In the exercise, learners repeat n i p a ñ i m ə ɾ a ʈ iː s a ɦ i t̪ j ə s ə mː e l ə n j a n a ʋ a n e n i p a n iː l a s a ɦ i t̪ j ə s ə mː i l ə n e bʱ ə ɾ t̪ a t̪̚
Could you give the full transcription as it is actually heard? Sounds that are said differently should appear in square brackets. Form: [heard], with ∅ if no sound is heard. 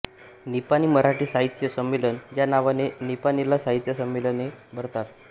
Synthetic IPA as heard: n i p a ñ i m ə ɾ a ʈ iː s a ɦ i t̪ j ə s ə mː e l ə n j a n a ʋ a n e n i p a n [i] l a s a ɦ i t̪ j ə s ə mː [e] l ə n e bʱ ə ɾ t̪ a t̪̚